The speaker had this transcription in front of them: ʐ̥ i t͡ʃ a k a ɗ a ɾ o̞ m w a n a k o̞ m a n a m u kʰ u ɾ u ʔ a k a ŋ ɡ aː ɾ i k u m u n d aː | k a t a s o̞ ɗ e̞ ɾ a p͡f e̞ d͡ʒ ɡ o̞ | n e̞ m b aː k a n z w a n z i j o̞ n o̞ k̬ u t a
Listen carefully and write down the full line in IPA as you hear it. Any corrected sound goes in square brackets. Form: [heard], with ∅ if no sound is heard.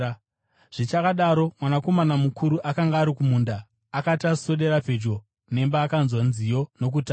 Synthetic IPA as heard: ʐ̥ i t͡ʃ a k a ɗ a ɾ o̞ m w a n a k o̞ m a n a m u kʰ u ɾ u ʔ a k a ŋ ɡ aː ɾ i k u m u n d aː | k a t a s o̞ ɗ e̞ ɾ a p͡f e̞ d͡ʒ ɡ o̞ | n e̞ m b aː k a n z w a n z i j o̞ n o̞ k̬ u t a

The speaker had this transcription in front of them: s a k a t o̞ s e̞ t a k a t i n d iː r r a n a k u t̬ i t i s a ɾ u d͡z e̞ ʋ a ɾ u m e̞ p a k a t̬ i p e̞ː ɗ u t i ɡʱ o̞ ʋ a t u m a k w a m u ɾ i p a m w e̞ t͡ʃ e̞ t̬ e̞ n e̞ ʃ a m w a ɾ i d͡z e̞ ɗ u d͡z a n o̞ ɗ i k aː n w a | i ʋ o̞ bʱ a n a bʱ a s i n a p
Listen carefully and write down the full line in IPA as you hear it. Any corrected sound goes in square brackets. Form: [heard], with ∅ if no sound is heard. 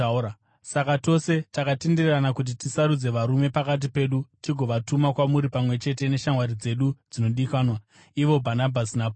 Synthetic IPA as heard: s a k a t o̞ s e̞ t a k a t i n d [i] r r a n a k u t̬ i t i s a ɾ u d͡z e̞ ʋ a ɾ u m e̞ p a k a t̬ i p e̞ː ɗ u t i ɡʱ o̞ ʋ a t u m a k w a m u ɾ i p a m w e̞ t͡ʃ e̞ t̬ e̞ n e̞ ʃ a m w a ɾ i d͡z e̞ ɗ u d͡z [i] n o̞ ɗ i k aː n w a | i ʋ o̞ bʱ a n a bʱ a s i n a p

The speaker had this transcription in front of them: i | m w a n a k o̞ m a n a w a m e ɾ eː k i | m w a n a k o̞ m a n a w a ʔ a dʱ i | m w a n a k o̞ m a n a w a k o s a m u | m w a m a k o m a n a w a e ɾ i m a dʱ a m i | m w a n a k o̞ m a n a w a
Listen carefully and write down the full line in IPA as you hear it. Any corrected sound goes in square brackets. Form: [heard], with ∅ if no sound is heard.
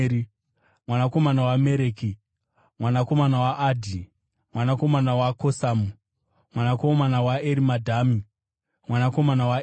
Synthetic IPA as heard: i | m w a n a k o̞ m a n a w a m e ɾ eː k i | m w a n a k o̞ m a n a w a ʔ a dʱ i | m w a n a k o̞ m a n a w a k o s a m u | m w a [n] a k o m a n a w a e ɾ i m a dʱ a m i | m w a n a k o̞ m a n a w a

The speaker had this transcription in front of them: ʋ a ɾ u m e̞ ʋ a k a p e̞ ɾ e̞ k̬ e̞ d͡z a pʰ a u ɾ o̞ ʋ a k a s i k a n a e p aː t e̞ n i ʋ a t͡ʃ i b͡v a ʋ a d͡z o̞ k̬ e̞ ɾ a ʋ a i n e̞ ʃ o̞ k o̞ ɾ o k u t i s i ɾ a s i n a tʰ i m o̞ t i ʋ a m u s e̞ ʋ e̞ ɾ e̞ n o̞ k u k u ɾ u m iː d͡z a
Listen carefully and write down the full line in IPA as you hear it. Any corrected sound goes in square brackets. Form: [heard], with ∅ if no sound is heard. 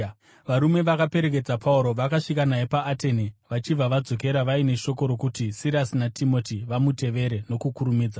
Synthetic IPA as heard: ʋ a ɾ u m e̞ ʋ a k a p e̞ ɾ e̞ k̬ e̞ d͡z a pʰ a u ɾ o̞ ʋ a k a [ʂ] i k a n a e p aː t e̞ n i ʋ a t͡ʃ i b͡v a ʋ a d͡z o̞ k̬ e̞ ɾ a ʋ a i n e̞ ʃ o̞ k o̞ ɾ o k u t i s i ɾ a s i n a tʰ i m o̞ t i ʋ a m u [t] e̞ ʋ e̞ ɾ e̞ n o̞ k u k u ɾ u m iː d͡z a

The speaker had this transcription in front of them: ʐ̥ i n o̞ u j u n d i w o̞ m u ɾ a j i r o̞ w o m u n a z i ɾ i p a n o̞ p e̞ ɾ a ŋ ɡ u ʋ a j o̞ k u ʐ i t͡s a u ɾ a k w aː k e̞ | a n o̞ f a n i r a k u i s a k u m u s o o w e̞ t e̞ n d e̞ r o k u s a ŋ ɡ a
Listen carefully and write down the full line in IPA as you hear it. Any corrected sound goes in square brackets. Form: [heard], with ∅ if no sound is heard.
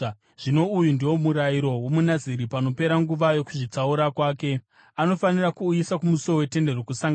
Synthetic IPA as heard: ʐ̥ i n o̞ u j u n d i w o̞ m u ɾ a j i [ɾ] o̞ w o m u n a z i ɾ i p a n o̞ p e̞ ɾ a ŋ ɡ u ʋ a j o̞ k u ʐ i t͡s a u ɾ a k w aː k e̞ | a n o̞ f a n i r a k u i s a k u m u s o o w e̞ t e̞ n d e̞ r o k u s a ŋ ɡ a

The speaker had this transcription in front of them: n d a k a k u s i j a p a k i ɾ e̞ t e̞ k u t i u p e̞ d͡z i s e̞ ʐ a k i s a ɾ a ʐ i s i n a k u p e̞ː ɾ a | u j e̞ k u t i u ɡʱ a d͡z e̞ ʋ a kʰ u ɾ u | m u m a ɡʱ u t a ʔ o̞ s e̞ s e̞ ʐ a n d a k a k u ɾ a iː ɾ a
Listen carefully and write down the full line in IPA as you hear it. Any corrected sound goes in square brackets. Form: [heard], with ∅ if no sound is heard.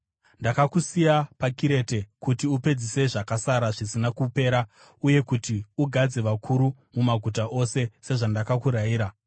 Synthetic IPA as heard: n d a k a k u s i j a p a k i ɾ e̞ t e̞ k u t i u p e̞ d͡z i s e̞ ʐ a k [a] s a ɾ a ʐ i s i n a k u p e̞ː ɾ a | u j e̞ k u t i u ɡʱ a d͡z e̞ ʋ a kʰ u ɾ u | m u m a ɡʱ u t a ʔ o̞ s e̞ s e̞ ʐ a n d a k a k u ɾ a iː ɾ a

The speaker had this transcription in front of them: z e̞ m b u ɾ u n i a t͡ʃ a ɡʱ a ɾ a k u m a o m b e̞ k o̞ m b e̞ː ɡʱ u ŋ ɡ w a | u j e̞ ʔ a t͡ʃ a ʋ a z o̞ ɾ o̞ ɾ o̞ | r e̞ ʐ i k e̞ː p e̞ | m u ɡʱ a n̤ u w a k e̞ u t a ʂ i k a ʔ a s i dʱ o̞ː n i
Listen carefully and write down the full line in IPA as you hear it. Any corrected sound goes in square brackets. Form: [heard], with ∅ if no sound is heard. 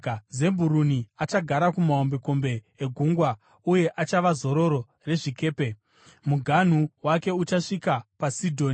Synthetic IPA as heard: z e̞ m b u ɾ u n i a t͡ʃ a ɡʱ a ɾ a k u m a o m b e̞ k o̞ m b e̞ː ɡʱ u ŋ ɡ w a | u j e̞ ʔ a t͡ʃ a ʋ a z o̞ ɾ o̞ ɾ o̞ | r e̞ ʐ i k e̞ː p e̞ | m u ɡʱ a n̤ u w a k e̞ u [t͡ʃ] a ʂ i k a [p] a s i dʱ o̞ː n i

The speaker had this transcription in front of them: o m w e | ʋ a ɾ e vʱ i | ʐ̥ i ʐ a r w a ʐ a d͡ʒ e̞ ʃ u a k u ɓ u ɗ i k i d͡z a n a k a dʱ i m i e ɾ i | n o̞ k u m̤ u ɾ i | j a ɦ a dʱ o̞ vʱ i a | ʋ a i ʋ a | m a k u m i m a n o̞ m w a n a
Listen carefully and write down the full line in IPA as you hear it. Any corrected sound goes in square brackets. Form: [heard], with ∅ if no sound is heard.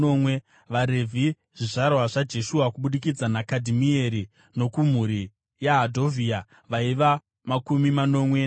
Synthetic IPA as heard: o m w e | ʋ a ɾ e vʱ i | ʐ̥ i ʐ a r w a ʐ a d͡ʒ e̞ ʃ u a k u ɓ u ɗ i k i d͡z a n a k a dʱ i m i e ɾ i | n o̞ k u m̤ u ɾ i | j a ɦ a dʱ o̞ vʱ i a | ʋ a i ʋ a | m a k u m i m a n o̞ m w [e] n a

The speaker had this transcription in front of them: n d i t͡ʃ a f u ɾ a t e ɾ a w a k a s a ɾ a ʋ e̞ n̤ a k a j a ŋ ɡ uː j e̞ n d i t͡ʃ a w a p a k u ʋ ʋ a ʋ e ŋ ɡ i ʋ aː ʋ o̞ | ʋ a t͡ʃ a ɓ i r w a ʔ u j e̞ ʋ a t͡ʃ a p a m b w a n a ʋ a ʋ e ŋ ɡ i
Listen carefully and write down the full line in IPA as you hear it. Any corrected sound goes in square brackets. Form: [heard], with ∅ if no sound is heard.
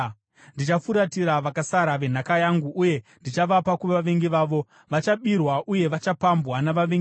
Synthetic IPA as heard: n d i t͡ʃ a f u ɾ a t [i] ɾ a [ʋ] a k a s a ɾ a ʋ e̞ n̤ a k a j a ŋ ɡ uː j e̞ n d i t͡ʃ a [ʋ] a p a k u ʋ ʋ a ʋ e ŋ ɡ i ʋ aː ʋ o̞ | ʋ a t͡ʃ a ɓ i r w a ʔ u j e̞ ʋ a t͡ʃ a p a m b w a n a ʋ a ʋ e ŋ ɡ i

